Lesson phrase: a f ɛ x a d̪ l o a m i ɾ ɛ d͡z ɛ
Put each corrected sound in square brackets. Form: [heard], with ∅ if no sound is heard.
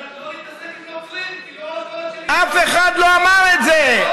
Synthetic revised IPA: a f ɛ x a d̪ l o a m [a] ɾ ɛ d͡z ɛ